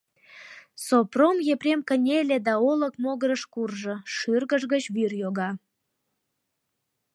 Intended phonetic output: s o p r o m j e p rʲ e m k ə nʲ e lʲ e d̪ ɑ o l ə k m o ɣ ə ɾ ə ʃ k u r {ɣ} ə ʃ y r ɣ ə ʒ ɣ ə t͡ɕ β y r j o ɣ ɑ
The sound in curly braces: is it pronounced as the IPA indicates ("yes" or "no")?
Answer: no